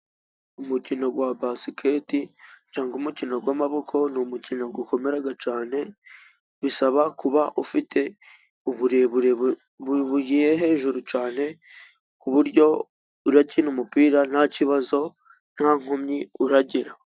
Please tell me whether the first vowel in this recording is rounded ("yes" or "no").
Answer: yes